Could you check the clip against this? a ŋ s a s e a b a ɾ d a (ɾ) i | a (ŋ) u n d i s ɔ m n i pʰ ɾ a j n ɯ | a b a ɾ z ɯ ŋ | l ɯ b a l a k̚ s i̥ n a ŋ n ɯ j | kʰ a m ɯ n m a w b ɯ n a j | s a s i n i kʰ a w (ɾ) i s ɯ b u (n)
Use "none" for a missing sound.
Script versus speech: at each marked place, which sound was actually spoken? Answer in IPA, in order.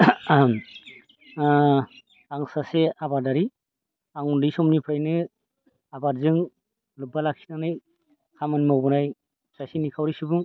ɾ, ŋ, ɾ, ŋ

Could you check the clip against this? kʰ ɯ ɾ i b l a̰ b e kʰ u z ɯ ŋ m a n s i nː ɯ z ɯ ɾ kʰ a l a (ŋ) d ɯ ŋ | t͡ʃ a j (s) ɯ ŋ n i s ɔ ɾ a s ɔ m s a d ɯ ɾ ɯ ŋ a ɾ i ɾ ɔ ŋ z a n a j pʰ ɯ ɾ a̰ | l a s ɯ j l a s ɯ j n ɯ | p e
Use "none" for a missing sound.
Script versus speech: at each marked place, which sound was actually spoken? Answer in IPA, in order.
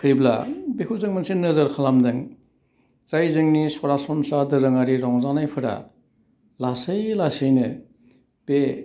m, z

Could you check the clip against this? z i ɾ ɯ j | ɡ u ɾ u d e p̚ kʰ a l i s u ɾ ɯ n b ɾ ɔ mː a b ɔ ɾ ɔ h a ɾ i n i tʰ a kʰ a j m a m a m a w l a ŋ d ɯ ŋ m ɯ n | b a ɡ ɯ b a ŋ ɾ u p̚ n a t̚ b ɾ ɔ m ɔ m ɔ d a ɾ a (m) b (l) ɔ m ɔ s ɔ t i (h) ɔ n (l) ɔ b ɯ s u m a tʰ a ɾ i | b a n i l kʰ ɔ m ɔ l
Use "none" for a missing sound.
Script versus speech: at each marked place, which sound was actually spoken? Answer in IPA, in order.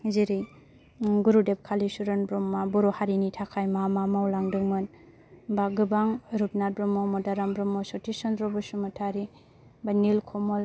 m, ɾ, s, ɾ

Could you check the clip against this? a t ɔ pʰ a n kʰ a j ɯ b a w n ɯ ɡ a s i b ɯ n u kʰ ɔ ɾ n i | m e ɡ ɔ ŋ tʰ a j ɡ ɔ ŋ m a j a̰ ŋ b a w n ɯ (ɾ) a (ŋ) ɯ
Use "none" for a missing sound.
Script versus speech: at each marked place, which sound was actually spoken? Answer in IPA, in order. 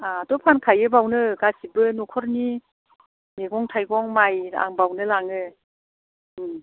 l, ŋ

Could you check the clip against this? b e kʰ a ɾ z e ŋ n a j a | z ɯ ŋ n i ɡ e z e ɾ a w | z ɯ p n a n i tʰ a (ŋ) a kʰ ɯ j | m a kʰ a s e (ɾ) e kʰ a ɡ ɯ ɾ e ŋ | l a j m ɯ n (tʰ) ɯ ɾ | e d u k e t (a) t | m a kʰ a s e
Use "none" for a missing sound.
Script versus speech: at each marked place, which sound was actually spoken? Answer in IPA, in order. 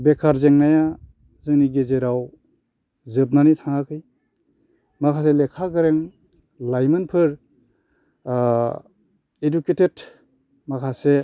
ŋ, l, pʰ, e

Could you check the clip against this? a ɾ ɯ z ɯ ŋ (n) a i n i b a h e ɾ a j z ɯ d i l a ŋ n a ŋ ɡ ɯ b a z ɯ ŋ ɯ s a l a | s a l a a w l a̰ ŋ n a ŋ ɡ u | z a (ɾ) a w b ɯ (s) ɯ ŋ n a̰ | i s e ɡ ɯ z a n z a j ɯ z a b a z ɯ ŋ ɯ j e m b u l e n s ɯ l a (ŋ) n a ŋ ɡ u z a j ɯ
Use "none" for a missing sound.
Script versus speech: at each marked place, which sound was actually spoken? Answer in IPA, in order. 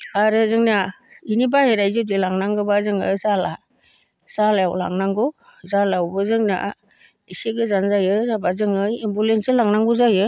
n, l, z, ŋ

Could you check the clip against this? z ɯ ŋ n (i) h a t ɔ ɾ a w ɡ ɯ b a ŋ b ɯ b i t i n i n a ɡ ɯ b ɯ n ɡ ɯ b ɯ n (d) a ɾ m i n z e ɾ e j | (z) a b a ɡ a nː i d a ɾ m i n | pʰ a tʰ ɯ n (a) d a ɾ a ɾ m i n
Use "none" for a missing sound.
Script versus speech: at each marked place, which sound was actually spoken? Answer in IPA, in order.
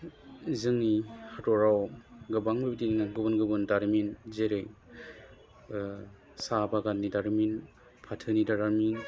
i, d, s, i

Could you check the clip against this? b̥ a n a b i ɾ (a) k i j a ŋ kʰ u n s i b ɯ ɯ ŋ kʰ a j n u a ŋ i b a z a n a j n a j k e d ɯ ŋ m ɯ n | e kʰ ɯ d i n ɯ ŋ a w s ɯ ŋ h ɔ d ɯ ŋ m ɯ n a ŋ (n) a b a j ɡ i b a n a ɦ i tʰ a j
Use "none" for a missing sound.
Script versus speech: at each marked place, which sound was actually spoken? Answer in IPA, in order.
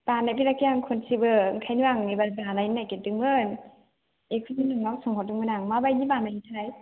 a, m

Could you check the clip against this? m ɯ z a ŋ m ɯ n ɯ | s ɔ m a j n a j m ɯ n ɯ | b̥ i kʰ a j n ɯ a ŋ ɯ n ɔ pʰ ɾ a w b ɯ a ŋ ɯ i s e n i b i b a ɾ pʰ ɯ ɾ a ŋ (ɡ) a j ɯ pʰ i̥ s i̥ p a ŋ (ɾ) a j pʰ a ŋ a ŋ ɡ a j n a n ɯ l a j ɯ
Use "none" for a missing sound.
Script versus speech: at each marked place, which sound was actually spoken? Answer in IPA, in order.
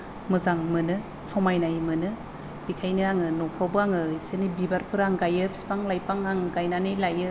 ɡ, l

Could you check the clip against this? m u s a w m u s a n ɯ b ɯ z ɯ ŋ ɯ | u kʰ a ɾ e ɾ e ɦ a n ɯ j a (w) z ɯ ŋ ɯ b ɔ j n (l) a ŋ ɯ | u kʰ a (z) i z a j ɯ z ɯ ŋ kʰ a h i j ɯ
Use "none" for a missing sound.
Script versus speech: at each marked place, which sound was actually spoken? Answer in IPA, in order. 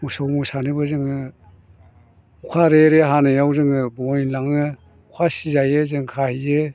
w, l, s

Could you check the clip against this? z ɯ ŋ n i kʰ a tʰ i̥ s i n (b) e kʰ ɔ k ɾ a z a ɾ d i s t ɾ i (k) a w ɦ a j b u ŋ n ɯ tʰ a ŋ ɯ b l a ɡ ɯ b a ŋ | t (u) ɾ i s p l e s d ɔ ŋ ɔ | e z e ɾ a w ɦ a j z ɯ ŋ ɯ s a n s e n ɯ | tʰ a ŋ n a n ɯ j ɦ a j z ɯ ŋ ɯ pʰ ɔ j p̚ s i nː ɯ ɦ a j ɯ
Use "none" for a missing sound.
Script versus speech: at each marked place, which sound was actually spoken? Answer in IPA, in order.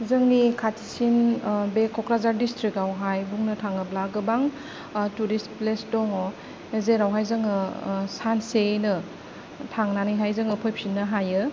b, k, u

